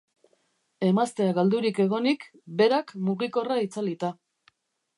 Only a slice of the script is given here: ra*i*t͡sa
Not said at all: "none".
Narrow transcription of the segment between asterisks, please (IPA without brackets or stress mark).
i